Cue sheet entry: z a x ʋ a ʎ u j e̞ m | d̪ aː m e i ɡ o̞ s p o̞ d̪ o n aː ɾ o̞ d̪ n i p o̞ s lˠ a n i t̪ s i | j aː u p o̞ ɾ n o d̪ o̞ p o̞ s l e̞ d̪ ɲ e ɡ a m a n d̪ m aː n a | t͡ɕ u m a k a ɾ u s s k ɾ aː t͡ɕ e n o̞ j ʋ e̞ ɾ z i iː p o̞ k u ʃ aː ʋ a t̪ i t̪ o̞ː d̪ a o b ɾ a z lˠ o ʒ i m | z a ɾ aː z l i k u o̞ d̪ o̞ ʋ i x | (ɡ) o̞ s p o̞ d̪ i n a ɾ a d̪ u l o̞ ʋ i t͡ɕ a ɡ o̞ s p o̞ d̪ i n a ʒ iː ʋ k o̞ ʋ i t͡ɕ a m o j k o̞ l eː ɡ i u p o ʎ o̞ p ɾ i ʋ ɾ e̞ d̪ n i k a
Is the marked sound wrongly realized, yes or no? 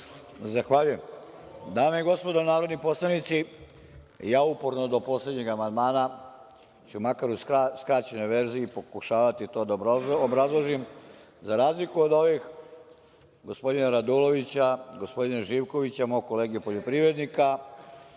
no